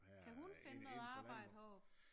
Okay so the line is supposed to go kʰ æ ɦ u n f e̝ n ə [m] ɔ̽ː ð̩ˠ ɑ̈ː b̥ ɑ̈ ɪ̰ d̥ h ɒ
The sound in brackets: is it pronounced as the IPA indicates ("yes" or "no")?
no